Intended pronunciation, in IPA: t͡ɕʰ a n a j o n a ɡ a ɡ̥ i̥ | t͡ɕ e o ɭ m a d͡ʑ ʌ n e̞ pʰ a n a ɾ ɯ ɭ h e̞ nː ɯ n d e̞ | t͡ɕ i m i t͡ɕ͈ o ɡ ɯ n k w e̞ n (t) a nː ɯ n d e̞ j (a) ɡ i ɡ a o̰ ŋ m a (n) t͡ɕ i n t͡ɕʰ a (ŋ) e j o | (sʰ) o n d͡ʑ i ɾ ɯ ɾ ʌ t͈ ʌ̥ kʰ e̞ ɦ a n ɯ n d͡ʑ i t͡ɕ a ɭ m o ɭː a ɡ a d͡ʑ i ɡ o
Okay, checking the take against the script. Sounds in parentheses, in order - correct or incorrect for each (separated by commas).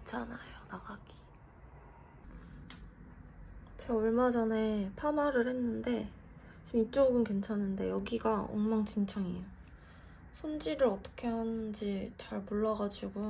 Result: incorrect, incorrect, incorrect, correct, correct